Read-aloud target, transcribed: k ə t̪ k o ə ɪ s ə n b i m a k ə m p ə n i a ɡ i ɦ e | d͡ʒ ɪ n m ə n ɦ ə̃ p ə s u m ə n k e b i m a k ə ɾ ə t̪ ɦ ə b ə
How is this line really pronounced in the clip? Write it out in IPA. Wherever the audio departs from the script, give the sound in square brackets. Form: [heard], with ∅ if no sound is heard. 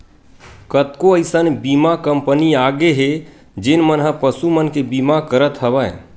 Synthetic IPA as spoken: k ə t̪ k o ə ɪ s ə n b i m a k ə m p ə n i a ɡ [e] ɦ e | d͡ʒ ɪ n m ə n ɦ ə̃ p ə s u m ə n k e b i m a k ə ɾ ə t̪ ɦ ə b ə